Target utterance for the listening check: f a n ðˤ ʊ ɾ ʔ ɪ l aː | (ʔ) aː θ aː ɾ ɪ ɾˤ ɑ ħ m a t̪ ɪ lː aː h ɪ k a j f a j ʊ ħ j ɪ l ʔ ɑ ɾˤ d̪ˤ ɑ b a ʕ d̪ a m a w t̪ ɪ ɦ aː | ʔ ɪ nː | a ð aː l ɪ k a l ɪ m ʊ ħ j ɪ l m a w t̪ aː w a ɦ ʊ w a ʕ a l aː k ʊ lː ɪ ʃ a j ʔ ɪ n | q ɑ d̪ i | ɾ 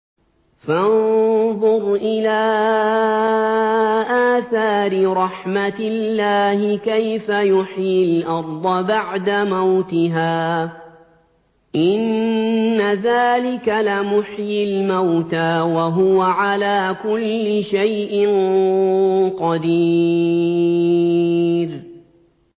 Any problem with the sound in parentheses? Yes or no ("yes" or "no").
no